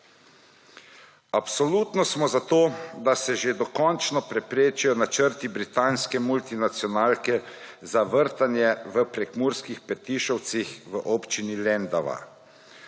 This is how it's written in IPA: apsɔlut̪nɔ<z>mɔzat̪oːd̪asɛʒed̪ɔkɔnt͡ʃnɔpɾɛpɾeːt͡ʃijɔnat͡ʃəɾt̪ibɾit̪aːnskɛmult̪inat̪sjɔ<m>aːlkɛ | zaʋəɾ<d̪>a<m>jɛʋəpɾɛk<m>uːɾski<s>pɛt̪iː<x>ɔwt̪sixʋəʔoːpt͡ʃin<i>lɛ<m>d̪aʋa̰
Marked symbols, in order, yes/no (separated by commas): no, no, no, no, yes, no, no, yes, no